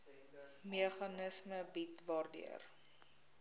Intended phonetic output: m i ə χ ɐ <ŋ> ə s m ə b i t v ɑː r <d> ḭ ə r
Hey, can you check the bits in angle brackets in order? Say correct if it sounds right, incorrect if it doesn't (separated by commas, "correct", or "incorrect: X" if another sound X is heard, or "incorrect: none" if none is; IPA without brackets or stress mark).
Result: incorrect: n, correct